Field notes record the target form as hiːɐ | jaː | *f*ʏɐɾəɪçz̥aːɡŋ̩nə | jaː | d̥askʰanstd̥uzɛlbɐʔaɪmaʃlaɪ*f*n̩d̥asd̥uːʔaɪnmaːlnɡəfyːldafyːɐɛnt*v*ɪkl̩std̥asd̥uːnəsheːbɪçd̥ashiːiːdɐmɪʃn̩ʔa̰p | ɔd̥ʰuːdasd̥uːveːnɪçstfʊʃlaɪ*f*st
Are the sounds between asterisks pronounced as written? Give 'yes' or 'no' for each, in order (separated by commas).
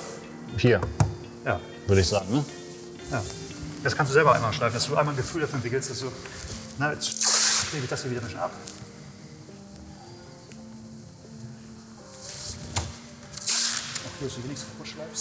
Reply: no, yes, yes, yes